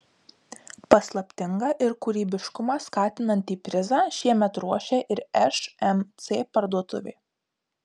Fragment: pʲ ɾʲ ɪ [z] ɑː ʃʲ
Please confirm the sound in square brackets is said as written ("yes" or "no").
yes